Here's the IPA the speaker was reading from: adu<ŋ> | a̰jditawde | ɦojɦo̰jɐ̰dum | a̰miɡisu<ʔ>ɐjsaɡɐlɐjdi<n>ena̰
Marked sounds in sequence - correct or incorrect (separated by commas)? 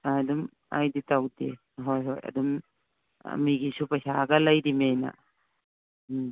incorrect, incorrect, incorrect